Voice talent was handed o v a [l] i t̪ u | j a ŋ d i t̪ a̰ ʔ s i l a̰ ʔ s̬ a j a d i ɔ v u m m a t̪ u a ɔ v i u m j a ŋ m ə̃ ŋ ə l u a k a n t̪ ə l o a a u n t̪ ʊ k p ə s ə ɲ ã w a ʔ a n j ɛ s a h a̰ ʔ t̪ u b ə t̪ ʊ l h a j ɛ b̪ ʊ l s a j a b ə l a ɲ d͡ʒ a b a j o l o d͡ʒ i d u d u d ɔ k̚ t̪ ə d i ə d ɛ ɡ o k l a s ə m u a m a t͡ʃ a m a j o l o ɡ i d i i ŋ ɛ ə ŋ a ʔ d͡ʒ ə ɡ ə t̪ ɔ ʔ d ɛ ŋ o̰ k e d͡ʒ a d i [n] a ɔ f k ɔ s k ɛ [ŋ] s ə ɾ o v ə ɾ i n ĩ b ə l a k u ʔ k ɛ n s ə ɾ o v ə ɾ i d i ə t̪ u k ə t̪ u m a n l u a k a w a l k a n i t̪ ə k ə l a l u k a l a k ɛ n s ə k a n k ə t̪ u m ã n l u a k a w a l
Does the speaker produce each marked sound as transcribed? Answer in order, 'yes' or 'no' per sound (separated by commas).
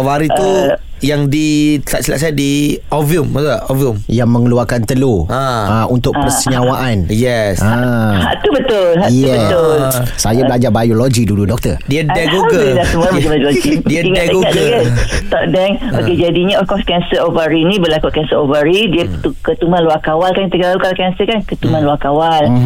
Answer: no, no, no